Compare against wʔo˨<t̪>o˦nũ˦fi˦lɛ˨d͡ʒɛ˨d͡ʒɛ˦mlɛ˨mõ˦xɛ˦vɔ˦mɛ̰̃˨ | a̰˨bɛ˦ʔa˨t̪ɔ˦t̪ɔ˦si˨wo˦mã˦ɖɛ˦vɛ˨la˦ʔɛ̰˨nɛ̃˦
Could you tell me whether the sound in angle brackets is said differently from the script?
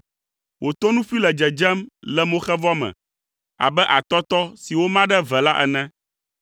no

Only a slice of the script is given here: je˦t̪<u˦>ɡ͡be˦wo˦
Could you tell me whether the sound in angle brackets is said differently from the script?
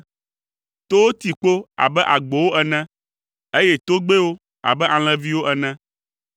yes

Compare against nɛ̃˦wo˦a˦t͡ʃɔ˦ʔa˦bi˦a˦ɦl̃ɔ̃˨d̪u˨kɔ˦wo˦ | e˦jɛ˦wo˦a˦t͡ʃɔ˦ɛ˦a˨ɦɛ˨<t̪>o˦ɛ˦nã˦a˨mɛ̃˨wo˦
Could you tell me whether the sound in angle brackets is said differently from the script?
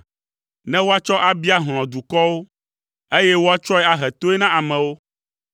no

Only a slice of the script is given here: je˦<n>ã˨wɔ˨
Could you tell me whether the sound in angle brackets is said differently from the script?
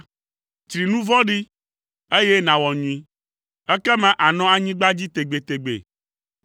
no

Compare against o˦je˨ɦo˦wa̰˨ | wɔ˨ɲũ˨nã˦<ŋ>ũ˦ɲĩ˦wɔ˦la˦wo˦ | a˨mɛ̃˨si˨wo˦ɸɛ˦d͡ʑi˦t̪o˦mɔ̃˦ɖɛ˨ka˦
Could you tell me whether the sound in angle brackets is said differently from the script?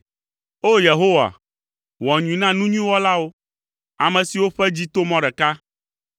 yes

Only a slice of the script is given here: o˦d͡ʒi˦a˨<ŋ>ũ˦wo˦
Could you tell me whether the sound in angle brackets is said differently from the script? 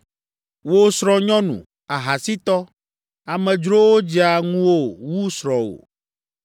no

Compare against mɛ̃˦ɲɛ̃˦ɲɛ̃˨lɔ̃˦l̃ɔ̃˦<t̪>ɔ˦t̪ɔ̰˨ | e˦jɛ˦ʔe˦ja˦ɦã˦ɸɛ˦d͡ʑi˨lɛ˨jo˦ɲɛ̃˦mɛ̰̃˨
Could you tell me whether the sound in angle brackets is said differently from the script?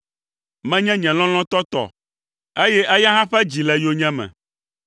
no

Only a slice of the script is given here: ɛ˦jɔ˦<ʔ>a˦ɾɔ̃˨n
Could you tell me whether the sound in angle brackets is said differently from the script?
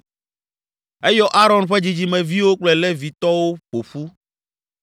no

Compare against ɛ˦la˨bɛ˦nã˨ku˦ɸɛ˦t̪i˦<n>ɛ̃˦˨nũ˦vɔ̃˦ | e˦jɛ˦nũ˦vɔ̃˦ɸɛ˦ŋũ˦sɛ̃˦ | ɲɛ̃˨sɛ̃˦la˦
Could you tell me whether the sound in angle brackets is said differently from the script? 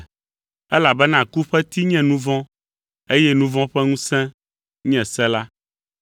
yes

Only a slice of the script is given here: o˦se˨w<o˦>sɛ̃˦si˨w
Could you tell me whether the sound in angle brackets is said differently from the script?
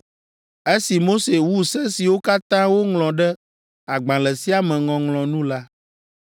yes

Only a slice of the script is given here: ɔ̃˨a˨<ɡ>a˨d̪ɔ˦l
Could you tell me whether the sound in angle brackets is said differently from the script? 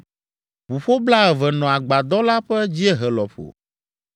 yes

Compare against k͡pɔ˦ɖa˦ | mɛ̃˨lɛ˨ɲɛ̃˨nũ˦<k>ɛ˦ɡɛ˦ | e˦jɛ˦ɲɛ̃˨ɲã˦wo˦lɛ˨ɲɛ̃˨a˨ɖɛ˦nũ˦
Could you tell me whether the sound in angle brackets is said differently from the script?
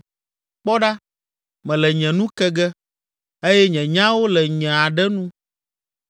no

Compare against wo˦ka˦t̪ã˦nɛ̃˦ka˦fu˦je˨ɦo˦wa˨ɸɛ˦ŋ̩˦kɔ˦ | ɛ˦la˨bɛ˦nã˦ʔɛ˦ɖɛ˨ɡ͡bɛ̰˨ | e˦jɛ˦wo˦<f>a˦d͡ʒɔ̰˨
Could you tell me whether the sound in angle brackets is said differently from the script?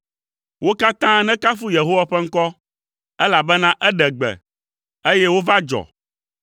yes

